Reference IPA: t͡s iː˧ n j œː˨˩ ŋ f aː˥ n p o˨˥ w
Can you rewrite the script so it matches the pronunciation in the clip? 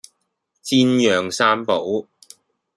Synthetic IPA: t͡s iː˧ n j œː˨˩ ŋ s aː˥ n p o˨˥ w